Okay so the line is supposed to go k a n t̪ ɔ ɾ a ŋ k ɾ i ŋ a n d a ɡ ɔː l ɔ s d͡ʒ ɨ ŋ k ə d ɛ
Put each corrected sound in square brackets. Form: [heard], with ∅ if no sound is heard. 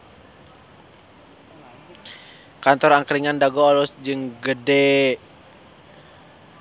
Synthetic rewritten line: k a n t̪ ɔ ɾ a ŋ k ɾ i ŋ a n d a ɡ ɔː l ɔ s d͡ʒ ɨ ŋ [ɡ] ə d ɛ